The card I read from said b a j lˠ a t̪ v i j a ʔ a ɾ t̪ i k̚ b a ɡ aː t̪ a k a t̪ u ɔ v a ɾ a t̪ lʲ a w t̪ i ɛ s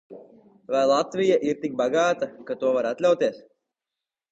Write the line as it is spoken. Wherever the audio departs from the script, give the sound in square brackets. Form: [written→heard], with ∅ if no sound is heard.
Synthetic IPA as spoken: [b→v] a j lˠ a t̪ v i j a ʔ [a→i] ɾ t̪ i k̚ b a ɡ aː t̪ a k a t̪ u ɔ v a ɾ a t̪ lʲ a w t̪ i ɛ s